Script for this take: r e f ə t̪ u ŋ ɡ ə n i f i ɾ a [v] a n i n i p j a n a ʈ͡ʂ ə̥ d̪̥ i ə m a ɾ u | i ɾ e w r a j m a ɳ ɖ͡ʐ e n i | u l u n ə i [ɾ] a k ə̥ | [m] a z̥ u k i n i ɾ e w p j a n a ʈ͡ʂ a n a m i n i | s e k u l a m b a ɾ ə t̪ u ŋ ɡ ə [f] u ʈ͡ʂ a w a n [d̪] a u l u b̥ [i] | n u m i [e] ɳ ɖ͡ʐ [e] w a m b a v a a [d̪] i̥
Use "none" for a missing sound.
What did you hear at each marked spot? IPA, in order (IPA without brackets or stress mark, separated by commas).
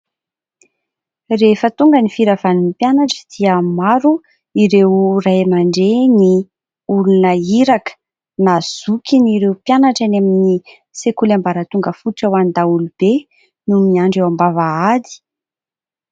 v, ɾ, n, f, d̪, e, a, e, d̪